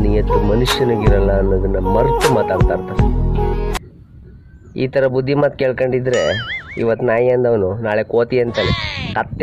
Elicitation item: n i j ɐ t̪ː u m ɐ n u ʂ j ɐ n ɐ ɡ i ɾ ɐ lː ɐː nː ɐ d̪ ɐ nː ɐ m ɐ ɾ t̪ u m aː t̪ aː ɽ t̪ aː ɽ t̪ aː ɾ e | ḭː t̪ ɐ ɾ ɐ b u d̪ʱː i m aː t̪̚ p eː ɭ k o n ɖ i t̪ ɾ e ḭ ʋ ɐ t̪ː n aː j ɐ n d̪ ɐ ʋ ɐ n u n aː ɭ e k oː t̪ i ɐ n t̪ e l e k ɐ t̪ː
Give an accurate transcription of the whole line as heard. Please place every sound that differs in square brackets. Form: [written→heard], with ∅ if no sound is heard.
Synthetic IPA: n i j ɐ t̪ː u m ɐ n u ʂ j ɐ n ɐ ɡ i ɾ ɐ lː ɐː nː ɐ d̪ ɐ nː ɐ m ɐ ɾ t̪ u m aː t̪ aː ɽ t̪ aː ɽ t̪ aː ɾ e | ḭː t̪ ɐ ɾ ɐ b u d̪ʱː i m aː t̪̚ [p→k] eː ɭ k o [n→ɳ] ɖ i [t̪→d̪] ɾ e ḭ ʋ ɐ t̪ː n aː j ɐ n d̪ ɐ ʋ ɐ n u n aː ɭ e k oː t̪ i ɐ n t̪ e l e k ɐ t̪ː